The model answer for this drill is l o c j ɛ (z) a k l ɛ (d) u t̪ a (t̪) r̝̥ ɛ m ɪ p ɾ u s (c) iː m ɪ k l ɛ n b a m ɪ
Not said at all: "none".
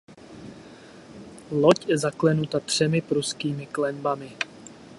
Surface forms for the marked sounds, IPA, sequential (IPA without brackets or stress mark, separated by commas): z, n, t̪, k